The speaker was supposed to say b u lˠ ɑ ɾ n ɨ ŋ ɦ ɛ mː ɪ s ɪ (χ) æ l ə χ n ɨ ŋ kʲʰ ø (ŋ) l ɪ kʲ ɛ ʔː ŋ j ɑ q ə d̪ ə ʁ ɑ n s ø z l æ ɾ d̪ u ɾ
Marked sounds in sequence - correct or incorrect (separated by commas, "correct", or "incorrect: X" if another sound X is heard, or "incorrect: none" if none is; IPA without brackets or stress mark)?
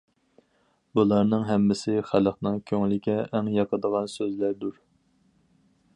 correct, correct